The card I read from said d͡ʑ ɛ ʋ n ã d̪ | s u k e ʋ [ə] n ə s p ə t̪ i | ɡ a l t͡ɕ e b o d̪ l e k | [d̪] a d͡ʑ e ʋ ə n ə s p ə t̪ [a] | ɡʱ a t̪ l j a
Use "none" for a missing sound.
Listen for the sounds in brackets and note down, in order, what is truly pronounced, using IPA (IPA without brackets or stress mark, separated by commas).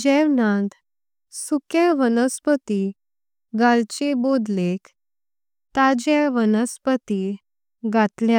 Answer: ə, t̪, i